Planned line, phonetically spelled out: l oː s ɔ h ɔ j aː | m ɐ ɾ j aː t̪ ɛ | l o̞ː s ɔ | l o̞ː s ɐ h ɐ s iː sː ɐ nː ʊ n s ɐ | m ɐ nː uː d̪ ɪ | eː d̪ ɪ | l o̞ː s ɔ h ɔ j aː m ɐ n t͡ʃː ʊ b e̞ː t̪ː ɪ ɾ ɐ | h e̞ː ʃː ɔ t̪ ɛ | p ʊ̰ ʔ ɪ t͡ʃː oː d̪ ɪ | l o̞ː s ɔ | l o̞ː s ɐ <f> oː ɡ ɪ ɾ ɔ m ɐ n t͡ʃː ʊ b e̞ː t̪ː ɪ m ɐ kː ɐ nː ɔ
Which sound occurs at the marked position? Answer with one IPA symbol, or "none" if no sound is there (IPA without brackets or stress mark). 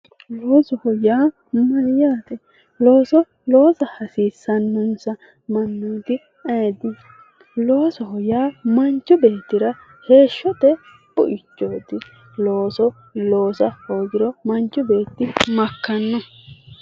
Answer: h